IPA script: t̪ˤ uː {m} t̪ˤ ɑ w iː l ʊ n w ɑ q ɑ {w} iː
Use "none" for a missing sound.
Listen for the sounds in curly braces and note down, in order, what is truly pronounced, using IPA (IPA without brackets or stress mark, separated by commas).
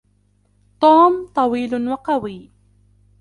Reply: m, w